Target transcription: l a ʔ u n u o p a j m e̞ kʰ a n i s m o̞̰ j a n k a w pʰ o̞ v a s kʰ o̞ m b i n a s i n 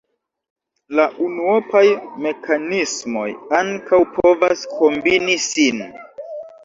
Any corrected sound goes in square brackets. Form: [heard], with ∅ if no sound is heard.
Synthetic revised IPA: l a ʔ u n u o p a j m e̞ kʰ a n i s m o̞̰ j a [ŋ] k a w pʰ o̞ v a s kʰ o̞ m b i n [i] s i n

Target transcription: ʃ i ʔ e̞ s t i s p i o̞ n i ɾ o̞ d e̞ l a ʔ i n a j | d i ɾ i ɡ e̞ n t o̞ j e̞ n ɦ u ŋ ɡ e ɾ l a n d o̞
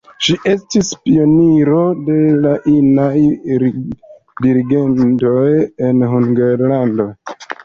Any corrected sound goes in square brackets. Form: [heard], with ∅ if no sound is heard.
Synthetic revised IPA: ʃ i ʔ e̞ s t i s p i o̞ n i ɾ o̞ d e̞ l a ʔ i n a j | d i ɾ i ɡ e̞ n t o̞ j e̞ n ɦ u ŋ ɡ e ɾ l a n d o̞

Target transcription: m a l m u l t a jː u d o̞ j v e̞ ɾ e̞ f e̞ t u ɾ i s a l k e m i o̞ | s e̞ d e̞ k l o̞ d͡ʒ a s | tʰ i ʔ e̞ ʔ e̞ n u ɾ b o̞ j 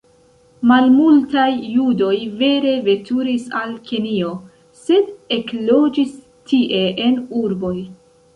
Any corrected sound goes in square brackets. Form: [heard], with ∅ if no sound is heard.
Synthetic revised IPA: m a l m u l t a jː u d o̞ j v e̞ ɾ e̞ [v] e̞ t u ɾ i s a l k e [n] i o̞ | s e̞ d e̞ k l o̞ d͡ʒ [i] s | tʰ i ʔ e̞ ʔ e̞ n u ɾ b o̞ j

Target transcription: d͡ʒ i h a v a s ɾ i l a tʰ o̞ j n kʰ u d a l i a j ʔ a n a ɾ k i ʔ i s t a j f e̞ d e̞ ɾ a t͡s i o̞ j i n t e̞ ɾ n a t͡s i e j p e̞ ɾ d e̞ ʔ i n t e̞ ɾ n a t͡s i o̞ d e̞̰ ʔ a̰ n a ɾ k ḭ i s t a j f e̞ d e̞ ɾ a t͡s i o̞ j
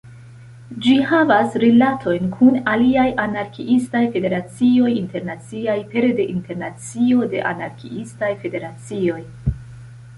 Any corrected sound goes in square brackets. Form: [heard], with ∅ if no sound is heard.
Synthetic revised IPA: d͡ʒ i h a v a s ɾ i l a tʰ o̞ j n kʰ u [n] a l i a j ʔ a n a ɾ k i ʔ i s t a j f e̞ d e̞ ɾ a t͡s i o̞ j i n t e̞ ɾ n a t͡s i [a] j p e̞ ɾ d e̞ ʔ i n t e̞ ɾ n a t͡s i o̞ d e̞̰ ʔ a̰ n a ɾ k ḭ i s t a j f e̞ d e̞ ɾ a t͡s i o̞ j

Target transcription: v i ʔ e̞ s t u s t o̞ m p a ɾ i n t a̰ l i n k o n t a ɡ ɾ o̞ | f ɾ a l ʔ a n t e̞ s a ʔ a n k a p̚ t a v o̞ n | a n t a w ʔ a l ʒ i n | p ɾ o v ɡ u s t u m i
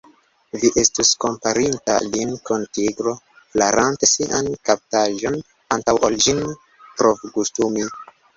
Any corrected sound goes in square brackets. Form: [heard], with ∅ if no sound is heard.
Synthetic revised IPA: v i ʔ e̞ s t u s [k] o̞ m p a ɾ i n t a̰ l i n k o n t [i] ɡ ɾ o̞ | f [l] a [ɾ] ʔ a n t e̞ s [i] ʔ a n k a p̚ t a [ʒ] o̞ n | a n t a w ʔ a l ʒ i n | p ɾ o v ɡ u s t u m i

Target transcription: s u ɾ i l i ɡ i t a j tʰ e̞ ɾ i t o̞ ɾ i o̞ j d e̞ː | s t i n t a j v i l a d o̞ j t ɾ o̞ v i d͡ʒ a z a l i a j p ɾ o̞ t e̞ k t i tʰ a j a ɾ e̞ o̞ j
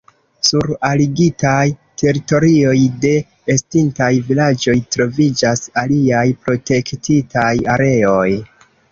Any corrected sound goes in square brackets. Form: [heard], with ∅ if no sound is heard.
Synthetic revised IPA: s u ɾ [a] l i ɡ i t a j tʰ e̞ ɾ i t o̞ ɾ i o̞ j d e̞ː | s t i n t a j v i l a [d͡ʒ] o̞ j t ɾ o̞ v i d͡ʒ a [s] a l i a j p ɾ o̞ t e̞ k t i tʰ a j a ɾ e̞ o̞ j

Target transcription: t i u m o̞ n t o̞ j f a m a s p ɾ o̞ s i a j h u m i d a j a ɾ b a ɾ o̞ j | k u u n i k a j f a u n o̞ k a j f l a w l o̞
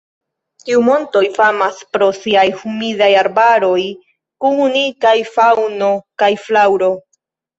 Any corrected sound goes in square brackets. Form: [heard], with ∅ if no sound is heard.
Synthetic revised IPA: t i u m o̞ n t o̞ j f a m a s p ɾ o̞ s i a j h u m i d a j a ɾ b a ɾ o̞ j | k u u n i k a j f a [w] n o̞ k a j f l a w [ɾ] o̞

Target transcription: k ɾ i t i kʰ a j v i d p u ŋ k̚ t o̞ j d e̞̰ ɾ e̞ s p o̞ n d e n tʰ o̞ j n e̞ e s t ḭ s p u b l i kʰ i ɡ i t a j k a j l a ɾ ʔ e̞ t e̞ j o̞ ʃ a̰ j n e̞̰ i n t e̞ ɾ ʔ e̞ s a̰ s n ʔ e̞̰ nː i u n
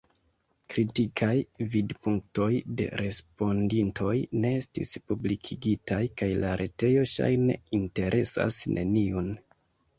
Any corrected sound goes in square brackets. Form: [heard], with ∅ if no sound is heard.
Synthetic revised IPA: k ɾ i t i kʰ a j v i d p u ŋ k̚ t o̞ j d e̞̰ ɾ e̞ s p o̞ n d [i] n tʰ o̞ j n e̞ e s t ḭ s p u b l i kʰ i ɡ i t a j k a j l a ɾ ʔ e̞ t e̞ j o̞ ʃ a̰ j n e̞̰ i n t e̞ ɾ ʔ e̞ s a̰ s n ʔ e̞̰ [n] i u n

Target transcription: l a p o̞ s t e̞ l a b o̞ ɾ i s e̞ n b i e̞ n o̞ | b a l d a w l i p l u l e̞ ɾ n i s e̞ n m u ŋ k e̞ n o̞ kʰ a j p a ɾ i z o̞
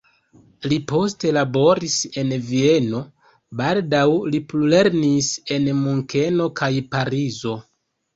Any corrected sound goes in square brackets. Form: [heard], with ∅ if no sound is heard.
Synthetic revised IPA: l [i] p o̞ s t e̞ l a b o̞ ɾ i s e̞ n [v] i e̞ n o̞ | b a l d a w l i p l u l e̞ ɾ n i s e̞ n m u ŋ k e̞ n o̞ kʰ a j p a ɾ i z o̞

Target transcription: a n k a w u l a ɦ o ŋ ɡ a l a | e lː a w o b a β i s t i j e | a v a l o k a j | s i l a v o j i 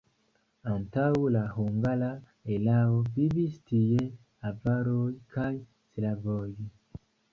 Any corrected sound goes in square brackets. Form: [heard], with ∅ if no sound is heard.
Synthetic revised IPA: a n [t] a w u l a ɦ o ŋ ɡ a l a | e [l] a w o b [i] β i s t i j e | a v a [ɾ] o k a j | s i l a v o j i

